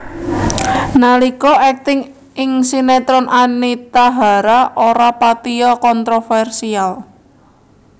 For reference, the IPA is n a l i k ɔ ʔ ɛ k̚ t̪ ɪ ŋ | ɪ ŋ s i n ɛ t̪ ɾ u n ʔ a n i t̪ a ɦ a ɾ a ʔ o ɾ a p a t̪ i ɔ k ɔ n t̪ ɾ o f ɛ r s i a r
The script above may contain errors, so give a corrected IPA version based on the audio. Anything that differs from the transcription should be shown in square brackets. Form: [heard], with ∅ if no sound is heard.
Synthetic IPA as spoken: n a l i k ɔ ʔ ɛ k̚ t̪ ɪ ŋ | ɪ ŋ s i n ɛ t̪ ɾ [ɔ] n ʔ a n i t̪ a ɦ a ɾ a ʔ o ɾ a p a t̪ i ɔ k ɔ n t̪ ɾ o f ɛ r s i a [l]